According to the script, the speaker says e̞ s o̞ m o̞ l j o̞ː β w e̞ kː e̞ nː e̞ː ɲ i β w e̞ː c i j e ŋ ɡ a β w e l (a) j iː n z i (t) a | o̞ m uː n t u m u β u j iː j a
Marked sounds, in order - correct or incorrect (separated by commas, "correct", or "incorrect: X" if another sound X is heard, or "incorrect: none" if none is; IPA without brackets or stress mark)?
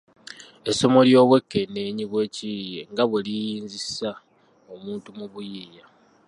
incorrect: i, incorrect: s